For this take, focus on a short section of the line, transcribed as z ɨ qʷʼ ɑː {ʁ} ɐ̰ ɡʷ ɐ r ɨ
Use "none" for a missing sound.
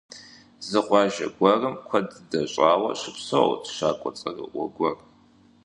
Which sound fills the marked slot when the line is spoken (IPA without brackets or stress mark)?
ʒ